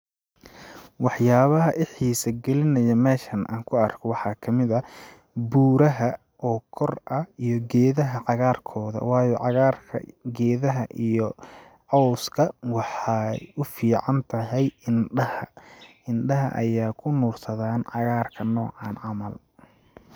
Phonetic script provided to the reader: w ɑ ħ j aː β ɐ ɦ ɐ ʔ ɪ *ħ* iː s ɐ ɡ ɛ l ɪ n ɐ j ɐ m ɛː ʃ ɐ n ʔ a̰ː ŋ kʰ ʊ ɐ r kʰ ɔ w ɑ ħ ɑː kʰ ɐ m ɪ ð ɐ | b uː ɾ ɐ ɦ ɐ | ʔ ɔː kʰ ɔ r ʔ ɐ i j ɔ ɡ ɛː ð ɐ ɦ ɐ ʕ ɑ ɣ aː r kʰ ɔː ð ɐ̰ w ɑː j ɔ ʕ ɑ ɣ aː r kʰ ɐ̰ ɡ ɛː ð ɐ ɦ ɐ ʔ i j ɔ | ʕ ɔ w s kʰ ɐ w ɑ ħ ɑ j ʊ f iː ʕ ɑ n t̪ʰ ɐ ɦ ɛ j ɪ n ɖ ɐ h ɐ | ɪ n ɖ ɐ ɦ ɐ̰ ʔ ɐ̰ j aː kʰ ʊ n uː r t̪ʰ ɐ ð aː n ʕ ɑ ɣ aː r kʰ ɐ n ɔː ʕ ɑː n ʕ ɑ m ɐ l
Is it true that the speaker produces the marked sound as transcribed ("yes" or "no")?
yes